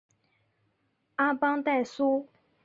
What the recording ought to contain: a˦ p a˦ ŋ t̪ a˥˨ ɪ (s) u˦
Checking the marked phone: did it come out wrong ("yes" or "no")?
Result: no